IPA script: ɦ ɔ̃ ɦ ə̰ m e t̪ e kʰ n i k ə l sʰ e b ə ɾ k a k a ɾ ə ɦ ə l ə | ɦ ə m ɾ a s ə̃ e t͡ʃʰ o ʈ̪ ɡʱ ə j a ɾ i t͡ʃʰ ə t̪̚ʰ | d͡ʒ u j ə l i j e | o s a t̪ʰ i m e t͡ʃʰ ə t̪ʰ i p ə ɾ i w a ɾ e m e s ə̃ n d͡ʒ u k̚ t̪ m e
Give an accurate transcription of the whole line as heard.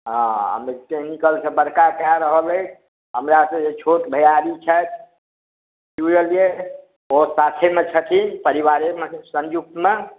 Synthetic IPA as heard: ɦ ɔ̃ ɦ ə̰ m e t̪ e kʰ n i k ə l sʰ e b ə ɾ k a k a ɾ ə ɦ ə l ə | ɦ ə m ɾ a s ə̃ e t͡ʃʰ o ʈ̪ bʱ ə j a ɾ i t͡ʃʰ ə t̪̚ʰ | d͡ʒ u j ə l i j e | o s a t̪ʰ e m e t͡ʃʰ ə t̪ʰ i p ə ɾ i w a ɾ e m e s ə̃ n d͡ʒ u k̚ t̪ m e

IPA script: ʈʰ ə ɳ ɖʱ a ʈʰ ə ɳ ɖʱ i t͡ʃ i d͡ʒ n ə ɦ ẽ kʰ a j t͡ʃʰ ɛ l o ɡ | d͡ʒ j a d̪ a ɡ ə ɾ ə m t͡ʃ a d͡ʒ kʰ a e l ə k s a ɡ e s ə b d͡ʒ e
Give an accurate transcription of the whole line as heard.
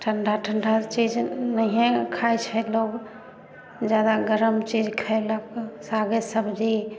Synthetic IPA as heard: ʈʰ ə ɳ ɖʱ a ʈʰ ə ɳ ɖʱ a t͡ʃ i d͡ʒ n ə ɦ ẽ kʰ a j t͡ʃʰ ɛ l o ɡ | d͡ʒ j a d̪ a ɡ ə ɾ ə m t͡ʃ i d͡ʒ kʰ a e l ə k s a ɡ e s ə b d͡ʒ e

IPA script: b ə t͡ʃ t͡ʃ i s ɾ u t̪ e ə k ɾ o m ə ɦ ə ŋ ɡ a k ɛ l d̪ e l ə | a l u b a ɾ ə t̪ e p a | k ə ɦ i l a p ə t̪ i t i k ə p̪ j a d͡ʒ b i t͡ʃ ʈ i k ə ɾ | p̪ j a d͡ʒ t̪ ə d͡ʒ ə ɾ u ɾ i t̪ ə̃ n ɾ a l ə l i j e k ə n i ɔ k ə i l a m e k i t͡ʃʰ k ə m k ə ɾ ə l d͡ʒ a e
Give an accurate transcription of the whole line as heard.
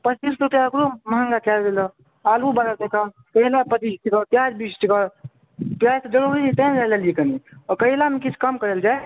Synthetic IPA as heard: p ə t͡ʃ t͡ʃ i s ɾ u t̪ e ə k ɾ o m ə ɦ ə ŋ ɡ a k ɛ l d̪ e l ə | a l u b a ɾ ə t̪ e k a | k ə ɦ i l a p ə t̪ i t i k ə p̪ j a d͡ʒ b i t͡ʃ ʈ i k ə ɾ | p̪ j a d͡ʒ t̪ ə d͡ʒ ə ɾ u ɾ i t̪ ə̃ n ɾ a l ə l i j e k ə n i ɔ k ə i l a m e k i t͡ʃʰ k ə m k ə ɾ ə l d͡ʒ a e

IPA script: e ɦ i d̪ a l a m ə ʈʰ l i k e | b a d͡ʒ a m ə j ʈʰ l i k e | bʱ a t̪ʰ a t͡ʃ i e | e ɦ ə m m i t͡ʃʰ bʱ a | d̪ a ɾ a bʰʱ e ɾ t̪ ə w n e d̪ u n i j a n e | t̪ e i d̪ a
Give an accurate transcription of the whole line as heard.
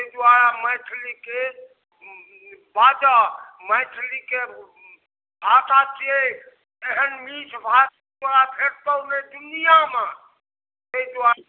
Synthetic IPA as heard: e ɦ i d̪ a ɾ a m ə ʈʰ l i k e | b a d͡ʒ a m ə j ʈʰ l i k e | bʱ a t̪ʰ a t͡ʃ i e | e ɦ ə n m i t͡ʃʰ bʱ a | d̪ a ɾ a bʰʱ e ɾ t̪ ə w n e d̪ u n i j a m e | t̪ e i d̪ a

